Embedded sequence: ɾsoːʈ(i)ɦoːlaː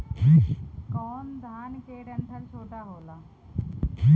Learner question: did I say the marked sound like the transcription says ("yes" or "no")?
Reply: no